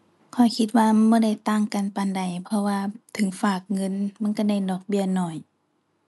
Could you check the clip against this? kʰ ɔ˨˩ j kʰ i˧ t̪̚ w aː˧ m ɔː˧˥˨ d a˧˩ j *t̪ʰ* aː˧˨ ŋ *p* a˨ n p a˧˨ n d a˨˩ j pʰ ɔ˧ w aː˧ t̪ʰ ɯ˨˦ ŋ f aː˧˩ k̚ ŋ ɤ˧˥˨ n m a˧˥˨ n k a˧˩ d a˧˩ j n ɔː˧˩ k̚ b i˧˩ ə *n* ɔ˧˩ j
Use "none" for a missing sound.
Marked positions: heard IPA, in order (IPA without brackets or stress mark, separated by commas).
t̪, k, n